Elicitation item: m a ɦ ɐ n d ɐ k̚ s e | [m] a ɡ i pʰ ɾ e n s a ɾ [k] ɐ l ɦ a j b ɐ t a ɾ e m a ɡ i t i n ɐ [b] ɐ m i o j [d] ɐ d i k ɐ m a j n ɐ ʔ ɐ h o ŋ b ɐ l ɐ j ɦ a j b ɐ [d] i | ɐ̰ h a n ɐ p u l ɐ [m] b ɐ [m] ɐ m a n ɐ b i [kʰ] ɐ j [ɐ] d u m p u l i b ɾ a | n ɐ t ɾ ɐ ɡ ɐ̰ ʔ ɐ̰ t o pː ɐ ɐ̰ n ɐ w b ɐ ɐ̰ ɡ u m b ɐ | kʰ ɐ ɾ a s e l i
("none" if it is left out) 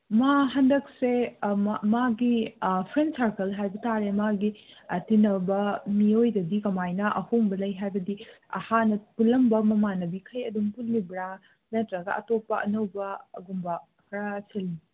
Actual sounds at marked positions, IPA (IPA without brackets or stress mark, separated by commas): m, k, b, d, d, m, m, kʰ, ɐ